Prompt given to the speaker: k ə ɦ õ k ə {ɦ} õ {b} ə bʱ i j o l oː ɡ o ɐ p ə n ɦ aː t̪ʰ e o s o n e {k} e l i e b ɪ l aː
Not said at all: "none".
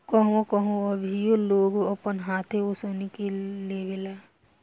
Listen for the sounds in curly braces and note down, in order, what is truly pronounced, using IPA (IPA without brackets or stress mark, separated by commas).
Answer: ɦ, none, k